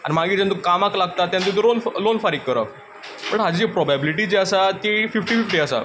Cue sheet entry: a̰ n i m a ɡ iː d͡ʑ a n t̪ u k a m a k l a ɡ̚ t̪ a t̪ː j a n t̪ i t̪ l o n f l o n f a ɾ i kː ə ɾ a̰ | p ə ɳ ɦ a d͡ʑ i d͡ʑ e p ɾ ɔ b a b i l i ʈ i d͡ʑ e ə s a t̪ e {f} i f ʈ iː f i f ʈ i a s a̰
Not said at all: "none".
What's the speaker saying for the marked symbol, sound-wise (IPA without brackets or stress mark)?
f